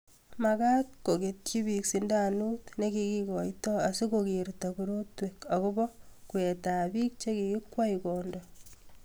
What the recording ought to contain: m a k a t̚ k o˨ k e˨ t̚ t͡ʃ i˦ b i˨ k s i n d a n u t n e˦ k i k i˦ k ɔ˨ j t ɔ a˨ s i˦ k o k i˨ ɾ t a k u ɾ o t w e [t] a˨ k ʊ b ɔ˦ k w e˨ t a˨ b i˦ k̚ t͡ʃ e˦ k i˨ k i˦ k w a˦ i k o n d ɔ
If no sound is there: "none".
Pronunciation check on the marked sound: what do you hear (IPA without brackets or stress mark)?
k